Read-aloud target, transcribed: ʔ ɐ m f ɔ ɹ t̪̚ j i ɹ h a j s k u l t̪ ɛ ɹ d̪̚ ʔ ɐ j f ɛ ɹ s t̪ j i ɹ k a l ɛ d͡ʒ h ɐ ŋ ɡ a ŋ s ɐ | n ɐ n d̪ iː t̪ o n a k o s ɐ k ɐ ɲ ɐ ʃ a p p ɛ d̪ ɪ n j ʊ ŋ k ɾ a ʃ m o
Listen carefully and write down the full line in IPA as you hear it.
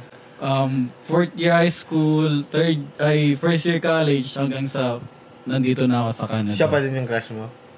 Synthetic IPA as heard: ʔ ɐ m f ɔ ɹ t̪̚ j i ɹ h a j s k u l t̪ ɛ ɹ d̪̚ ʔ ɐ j f ɛ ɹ s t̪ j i ɹ k a l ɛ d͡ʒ h ɐ ŋ ɡ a ŋ s ɐ | n ɐ n d̪ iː t̪ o n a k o s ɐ k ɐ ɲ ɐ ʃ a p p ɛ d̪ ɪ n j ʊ ŋ k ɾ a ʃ m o